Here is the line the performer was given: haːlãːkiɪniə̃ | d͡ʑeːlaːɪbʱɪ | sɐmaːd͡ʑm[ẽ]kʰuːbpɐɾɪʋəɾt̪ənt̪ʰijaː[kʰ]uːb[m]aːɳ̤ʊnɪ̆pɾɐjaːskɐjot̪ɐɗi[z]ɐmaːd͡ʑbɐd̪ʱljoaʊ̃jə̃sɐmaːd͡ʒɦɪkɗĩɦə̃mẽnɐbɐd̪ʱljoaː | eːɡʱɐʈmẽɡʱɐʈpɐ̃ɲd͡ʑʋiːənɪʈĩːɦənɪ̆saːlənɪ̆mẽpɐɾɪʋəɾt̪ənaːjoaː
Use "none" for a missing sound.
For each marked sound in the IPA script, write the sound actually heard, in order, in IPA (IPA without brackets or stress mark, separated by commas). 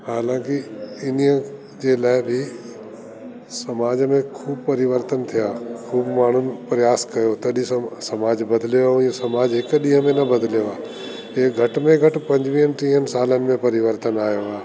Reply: ẽ, kʰ, m, s